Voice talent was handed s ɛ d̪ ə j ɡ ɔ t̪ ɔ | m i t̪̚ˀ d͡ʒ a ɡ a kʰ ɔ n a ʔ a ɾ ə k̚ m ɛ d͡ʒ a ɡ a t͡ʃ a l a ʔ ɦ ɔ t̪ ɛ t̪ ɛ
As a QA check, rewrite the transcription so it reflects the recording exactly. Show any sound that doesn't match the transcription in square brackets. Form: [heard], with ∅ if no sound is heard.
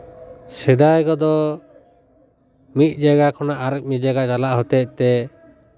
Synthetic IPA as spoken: s ɛ d̪ [a] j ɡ ɔ [d̪] ɔ | m i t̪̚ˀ d͡ʒ a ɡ a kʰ ɔ n a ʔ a ɾ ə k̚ m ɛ d͡ʒ a ɡ a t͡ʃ a l a ʔ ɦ ɔ t̪ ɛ t̪ ɛ